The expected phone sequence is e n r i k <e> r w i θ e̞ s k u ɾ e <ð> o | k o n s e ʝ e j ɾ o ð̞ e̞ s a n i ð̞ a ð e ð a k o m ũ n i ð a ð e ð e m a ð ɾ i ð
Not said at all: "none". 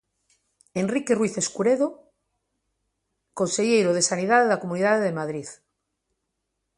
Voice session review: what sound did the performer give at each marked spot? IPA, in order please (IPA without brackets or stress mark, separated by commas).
e, ð